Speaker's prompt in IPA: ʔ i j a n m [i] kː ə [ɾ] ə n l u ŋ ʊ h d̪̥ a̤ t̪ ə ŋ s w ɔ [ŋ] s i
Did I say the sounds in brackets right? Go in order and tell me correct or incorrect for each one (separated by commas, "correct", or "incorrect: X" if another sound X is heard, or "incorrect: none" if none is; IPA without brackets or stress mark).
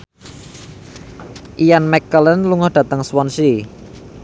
incorrect: ɛ, incorrect: l, incorrect: n